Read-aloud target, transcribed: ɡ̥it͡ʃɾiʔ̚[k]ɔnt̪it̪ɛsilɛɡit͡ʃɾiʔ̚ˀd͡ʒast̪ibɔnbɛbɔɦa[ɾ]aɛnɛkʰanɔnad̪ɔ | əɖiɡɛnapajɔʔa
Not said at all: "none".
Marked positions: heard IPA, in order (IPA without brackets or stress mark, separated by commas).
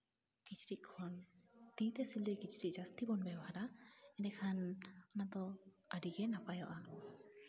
kʰ, ɾ